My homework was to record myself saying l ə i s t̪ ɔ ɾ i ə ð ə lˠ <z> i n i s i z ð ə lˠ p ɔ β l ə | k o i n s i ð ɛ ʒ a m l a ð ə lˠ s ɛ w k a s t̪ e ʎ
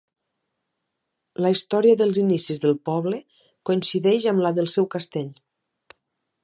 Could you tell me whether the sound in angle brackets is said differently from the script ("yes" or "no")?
no